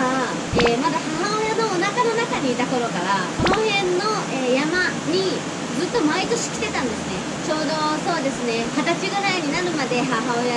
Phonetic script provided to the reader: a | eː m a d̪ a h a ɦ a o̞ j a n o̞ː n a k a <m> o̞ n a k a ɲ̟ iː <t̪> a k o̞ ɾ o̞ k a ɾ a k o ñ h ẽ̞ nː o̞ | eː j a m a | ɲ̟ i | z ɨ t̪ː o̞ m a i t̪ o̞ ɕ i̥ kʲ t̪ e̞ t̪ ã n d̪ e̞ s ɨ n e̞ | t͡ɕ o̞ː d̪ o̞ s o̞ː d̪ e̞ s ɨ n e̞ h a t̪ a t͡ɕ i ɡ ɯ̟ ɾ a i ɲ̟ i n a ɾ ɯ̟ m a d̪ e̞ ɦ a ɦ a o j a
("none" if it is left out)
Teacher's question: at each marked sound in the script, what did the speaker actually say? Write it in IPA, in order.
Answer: n, t̪

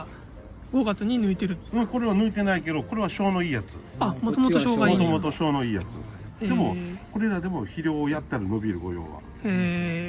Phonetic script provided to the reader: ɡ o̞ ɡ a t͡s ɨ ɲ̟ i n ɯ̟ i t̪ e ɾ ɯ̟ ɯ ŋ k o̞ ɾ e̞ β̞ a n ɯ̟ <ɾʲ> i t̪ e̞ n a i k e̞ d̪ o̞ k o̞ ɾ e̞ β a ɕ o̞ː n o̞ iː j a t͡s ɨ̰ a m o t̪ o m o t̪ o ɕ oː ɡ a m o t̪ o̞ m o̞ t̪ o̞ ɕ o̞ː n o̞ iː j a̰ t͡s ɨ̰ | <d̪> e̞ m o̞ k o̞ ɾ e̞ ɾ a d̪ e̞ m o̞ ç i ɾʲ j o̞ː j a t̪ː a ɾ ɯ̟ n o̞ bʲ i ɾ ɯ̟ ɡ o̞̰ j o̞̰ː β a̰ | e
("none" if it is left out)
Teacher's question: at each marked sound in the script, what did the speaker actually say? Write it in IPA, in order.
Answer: none, d̪

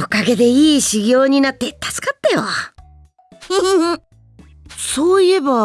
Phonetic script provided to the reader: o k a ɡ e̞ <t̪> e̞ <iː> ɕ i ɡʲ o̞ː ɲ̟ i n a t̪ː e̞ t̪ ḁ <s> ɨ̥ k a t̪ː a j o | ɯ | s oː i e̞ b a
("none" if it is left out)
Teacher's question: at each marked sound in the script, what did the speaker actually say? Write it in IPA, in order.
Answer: d̪, iː, s

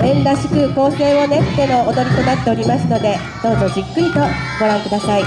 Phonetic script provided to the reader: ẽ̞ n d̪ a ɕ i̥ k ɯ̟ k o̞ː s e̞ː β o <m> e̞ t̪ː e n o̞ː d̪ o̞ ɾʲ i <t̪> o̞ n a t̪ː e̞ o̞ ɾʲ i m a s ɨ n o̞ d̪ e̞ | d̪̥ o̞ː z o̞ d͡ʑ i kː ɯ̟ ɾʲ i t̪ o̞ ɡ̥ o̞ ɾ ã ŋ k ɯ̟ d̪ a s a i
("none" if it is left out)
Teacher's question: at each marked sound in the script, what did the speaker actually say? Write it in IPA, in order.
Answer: n, t̪

